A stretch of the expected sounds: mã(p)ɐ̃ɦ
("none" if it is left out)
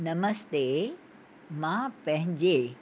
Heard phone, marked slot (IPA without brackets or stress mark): p